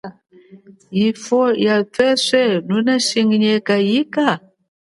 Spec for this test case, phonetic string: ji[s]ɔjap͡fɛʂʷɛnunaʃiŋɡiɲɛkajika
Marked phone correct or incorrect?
incorrect